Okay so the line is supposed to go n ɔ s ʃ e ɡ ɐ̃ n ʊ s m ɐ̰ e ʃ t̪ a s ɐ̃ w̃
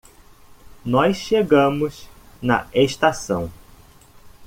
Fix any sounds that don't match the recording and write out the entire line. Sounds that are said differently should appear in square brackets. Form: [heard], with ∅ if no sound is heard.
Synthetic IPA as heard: n ɔ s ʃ e ɡ ɐ̃ [m] ʊ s [n] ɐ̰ e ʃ t̪ a s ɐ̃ w̃